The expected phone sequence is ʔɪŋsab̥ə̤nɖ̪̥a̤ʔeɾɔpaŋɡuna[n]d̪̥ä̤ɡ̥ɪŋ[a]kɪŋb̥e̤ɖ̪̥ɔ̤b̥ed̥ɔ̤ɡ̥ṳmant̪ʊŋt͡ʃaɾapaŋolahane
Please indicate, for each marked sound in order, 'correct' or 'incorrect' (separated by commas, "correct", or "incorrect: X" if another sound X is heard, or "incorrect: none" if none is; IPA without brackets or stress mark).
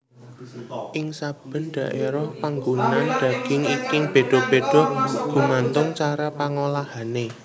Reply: correct, incorrect: i